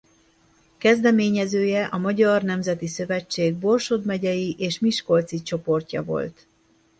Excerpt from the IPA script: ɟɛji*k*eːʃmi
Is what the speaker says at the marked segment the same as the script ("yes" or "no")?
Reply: no